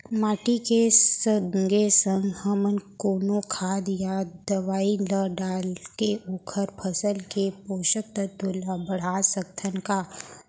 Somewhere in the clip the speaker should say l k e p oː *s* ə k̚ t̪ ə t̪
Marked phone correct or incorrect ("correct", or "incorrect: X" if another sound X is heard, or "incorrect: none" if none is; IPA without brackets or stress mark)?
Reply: incorrect: ʃ